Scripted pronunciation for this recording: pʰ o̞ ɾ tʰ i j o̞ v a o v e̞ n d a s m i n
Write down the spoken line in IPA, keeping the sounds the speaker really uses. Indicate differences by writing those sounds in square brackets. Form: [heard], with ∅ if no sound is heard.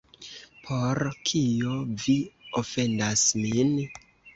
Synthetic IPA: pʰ o̞ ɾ [kʰ] i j o̞ v [i] o [f] e̞ n d a s m i n